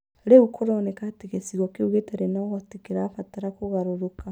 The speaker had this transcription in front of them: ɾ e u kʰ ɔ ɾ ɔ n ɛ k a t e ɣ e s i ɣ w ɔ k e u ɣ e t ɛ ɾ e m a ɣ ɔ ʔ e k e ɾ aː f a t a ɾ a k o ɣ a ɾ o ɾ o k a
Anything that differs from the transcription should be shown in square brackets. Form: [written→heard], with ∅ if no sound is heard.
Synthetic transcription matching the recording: ɾ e u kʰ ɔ ɾ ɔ n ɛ k a t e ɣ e s i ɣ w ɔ k e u ɣ e t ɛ ɾ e [m→n] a ɣ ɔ [ʔ→t] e k e ɾ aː f a t a ɾ a k o ɣ a ɾ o ɾ o k a